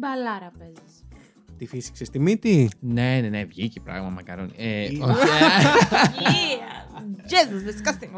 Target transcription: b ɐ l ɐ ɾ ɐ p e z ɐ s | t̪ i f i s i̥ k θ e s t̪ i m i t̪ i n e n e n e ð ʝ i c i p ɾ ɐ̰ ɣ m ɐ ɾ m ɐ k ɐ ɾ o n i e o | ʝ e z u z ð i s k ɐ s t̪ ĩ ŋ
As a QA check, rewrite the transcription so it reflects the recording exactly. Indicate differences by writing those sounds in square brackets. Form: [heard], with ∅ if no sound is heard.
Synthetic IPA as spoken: b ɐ l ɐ ɾ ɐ p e z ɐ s | t̪ i f i s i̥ k [s] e s t̪ i m i t̪ i n e n e n e [v] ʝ i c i p ɾ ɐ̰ ɣ m ɐ [∅] m ɐ k ɐ ɾ o n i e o | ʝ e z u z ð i s k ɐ s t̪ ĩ ŋ